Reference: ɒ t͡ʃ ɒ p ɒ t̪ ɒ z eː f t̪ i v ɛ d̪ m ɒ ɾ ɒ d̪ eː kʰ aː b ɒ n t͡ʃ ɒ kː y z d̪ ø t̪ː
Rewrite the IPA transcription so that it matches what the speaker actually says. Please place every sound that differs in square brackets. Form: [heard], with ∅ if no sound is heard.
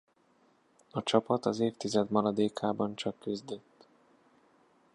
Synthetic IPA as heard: ɒ t͡ʃ ɒ p ɒ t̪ ɒ z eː f t̪ i [z] ɛ d̪ m ɒ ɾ ɒ d̪ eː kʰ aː b ɒ n t͡ʃ ɒ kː y z d̪ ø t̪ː